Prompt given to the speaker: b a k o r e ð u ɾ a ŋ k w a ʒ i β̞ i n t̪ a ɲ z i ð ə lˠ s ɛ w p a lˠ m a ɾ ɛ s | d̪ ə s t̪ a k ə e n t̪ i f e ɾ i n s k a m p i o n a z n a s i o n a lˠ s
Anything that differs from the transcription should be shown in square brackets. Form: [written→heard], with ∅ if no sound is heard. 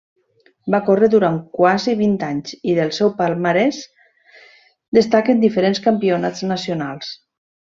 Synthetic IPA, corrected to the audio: b a k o r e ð u ɾ a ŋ k w a [ʒ→z] i β̞ i n t̪ a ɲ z i ð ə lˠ s ɛ w p a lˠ m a ɾ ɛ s | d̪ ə s t̪ a k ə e n [t̪→d̪] i f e ɾ [i→e] n s k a m p i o n a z n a s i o n a lˠ s